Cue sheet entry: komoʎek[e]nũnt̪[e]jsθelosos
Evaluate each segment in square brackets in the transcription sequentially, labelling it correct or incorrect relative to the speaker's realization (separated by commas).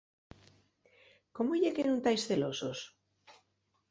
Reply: correct, incorrect